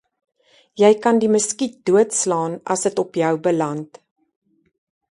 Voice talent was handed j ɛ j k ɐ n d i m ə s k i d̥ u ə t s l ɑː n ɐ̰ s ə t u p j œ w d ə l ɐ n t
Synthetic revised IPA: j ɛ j k ɐ n d i m ə s k i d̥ u ə t s l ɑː n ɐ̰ s ə t ɔ p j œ w b ə l ɐ n t